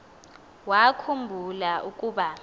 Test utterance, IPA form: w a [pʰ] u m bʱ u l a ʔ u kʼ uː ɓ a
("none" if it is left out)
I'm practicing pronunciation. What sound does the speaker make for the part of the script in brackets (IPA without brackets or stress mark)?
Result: kʰ